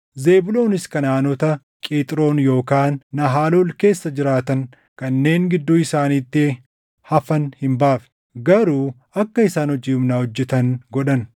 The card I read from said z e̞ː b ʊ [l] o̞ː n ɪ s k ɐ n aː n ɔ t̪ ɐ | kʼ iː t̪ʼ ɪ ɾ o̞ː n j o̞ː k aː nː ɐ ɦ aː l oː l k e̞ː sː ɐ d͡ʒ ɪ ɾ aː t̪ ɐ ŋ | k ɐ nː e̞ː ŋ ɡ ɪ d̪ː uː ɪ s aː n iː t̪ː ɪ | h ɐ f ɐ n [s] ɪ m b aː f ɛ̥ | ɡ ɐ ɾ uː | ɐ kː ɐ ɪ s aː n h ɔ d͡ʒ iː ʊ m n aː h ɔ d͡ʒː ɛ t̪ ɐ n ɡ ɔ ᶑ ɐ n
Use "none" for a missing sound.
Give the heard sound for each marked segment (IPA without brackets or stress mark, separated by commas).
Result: l, h